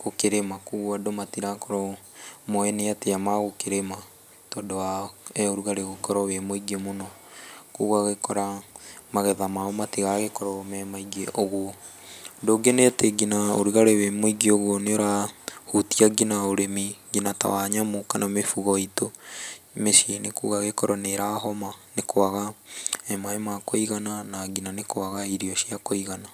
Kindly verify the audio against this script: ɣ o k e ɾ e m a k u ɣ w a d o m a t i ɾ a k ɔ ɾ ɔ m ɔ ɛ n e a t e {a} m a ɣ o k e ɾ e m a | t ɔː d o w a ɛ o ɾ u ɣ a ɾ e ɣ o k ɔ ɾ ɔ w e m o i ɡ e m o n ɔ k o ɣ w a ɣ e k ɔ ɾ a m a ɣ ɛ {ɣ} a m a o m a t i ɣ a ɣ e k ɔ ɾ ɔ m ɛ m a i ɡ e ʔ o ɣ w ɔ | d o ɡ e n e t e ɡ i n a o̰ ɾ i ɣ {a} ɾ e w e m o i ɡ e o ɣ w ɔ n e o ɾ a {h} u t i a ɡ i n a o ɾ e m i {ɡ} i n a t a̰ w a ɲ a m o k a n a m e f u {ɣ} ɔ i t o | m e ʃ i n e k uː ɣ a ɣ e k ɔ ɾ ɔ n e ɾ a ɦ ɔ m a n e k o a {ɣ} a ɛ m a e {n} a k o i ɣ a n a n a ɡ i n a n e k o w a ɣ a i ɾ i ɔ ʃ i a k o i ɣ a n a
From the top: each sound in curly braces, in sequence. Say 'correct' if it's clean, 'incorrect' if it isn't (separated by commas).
correct, incorrect, correct, correct, correct, correct, correct, incorrect